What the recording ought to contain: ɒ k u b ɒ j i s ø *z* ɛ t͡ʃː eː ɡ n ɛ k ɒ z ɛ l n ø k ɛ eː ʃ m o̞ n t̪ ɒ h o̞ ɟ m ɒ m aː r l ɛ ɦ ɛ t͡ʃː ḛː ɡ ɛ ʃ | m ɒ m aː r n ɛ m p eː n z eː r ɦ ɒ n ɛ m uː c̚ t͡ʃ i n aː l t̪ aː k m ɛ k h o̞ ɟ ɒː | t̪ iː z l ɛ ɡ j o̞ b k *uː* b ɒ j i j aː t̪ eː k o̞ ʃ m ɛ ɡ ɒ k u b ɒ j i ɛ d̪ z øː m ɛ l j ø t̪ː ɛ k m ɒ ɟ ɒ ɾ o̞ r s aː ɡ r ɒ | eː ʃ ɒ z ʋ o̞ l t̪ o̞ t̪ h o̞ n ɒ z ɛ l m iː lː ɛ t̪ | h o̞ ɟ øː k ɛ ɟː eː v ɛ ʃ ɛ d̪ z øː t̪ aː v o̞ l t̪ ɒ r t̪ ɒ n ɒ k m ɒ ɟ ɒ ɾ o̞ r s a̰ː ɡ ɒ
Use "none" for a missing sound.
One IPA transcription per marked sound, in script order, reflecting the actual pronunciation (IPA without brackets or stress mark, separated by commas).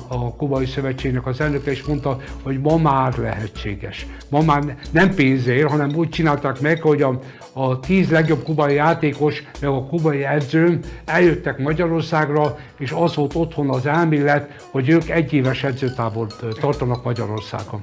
v, u